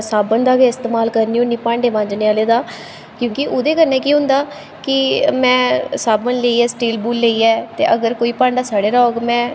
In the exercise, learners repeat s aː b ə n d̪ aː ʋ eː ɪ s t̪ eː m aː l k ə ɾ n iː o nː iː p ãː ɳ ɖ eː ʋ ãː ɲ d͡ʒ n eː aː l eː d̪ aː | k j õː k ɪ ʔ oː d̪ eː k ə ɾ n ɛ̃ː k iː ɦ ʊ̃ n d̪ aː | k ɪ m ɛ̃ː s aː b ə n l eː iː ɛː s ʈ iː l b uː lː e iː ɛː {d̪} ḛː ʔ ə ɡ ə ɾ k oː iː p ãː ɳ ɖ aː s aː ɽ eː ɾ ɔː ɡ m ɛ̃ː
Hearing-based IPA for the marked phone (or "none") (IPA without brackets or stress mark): t̪